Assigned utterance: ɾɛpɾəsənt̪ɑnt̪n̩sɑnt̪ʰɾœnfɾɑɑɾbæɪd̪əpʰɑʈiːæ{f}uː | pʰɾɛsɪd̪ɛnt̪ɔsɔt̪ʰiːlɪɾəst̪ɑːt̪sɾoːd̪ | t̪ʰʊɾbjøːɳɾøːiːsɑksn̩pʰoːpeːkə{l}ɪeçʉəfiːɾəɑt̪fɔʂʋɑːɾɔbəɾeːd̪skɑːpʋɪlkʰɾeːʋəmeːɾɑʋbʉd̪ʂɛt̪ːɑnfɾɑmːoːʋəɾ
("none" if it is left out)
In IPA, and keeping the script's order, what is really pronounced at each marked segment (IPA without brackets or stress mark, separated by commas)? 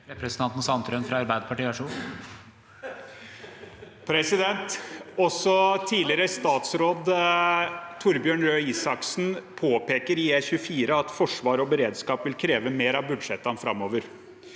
ʂ, ɾ